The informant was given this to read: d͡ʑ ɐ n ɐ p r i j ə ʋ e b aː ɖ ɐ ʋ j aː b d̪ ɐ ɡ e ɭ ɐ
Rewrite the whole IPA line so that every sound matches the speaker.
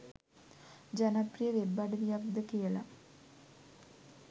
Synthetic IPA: d͡ʑ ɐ n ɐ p r i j ɐ ʋ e b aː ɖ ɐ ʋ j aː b d̪ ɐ k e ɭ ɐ